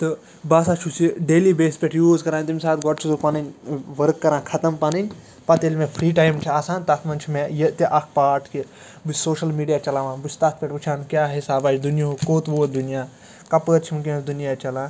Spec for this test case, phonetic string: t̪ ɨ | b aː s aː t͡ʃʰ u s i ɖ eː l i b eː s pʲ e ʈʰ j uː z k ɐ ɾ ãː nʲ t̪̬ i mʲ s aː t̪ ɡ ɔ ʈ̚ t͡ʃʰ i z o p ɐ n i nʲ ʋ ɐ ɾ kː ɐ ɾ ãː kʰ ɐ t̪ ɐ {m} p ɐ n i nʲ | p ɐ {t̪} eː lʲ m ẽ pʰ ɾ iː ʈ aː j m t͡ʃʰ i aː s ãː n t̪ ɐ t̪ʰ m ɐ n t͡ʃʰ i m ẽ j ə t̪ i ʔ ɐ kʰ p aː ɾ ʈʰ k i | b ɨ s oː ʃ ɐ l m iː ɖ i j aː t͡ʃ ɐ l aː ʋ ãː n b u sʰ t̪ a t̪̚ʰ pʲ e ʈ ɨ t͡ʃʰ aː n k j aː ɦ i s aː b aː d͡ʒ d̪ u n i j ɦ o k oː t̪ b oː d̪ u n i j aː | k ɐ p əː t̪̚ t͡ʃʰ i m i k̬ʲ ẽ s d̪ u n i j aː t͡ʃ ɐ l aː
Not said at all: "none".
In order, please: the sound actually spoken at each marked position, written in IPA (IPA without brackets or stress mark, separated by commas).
m, t̪